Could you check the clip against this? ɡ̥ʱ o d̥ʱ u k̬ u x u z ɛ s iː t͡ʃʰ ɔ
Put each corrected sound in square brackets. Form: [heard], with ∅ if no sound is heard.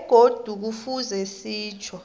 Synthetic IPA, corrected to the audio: ɡ̥ʱ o d̥ʱ u k̬ u [f] u z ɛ s iː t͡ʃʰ ɔ